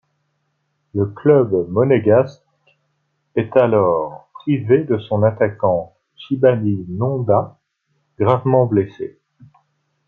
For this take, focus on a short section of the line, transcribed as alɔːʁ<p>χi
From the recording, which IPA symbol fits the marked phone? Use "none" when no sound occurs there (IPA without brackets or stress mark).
p